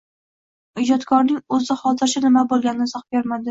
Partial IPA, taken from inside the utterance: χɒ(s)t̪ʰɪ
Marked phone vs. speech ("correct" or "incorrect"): incorrect